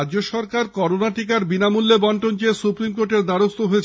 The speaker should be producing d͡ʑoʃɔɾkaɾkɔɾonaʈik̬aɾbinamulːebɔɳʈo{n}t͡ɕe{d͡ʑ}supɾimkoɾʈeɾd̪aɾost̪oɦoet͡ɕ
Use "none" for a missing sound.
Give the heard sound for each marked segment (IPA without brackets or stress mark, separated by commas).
n, none